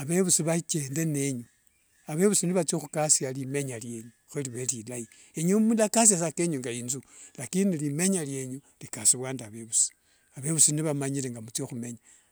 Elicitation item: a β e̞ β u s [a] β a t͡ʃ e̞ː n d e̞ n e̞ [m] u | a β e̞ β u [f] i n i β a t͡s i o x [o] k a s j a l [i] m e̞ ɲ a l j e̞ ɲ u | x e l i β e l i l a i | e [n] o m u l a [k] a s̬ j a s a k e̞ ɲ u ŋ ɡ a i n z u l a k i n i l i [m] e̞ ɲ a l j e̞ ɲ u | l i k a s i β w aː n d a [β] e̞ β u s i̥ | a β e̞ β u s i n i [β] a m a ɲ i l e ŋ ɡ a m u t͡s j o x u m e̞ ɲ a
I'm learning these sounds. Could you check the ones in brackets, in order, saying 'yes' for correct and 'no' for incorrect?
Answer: no, no, no, no, yes, no, yes, yes, yes, yes

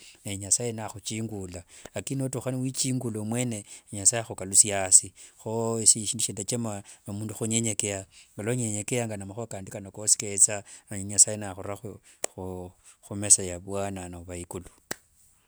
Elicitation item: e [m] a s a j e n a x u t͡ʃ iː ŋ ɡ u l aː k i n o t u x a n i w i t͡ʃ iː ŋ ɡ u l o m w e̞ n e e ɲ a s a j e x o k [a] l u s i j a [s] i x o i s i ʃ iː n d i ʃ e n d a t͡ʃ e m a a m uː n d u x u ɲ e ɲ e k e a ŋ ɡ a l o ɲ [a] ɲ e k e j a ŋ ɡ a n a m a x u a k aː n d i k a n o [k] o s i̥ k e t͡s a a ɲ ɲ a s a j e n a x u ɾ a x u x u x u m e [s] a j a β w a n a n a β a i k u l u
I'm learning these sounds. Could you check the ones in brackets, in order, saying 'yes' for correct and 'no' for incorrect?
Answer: no, yes, yes, no, yes, yes

